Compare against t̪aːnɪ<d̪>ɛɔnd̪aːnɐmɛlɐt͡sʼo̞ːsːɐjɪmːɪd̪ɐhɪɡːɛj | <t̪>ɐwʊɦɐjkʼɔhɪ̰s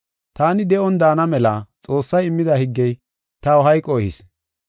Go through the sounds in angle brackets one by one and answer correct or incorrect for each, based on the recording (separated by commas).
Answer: correct, correct